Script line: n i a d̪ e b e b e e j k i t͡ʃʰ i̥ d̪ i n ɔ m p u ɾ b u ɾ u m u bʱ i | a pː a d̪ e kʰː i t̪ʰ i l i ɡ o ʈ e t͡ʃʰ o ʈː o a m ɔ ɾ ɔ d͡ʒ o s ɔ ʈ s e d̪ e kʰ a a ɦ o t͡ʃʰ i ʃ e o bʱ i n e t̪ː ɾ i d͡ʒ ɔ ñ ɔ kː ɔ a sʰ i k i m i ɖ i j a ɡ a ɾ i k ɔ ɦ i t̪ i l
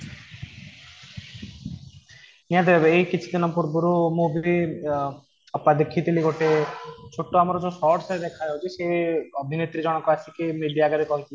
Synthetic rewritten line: n i a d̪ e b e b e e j k i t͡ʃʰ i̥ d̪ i n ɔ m p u ɾ b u ɾ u m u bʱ i | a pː a d̪ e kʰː i t̪ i l i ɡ o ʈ e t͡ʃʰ o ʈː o a m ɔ ɾ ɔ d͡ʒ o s ɔ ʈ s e d̪ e kʰ a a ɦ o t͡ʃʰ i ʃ e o bʱ i n e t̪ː ɾ i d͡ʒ ɔ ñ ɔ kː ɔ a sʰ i k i m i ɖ i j a ɡ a ɾ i k ɔ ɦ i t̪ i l